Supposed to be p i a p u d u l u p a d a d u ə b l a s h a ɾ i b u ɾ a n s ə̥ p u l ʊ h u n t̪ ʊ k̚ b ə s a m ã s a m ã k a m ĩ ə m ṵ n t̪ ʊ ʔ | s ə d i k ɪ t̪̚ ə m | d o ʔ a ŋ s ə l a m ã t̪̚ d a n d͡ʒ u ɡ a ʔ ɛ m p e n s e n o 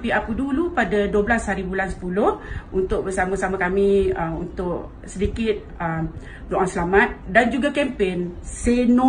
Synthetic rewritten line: p i a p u d u l u p a d a d u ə b l a s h a ɾ i b u l a n s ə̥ p u l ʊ h u n t̪ ʊ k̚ b ə s a m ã s a m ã k a m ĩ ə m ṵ n t̪ ʊ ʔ | s ə d i k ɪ t̪̚ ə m | d o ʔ a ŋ s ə l a m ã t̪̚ d a n d͡ʒ u ɡ a k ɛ m p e n s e n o